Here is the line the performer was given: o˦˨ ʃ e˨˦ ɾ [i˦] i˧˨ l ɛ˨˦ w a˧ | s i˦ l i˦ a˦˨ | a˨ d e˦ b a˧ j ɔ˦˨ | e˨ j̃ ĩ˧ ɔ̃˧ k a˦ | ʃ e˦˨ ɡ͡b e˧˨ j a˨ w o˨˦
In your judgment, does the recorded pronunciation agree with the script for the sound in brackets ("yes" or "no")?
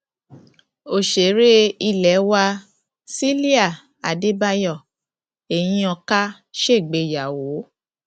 no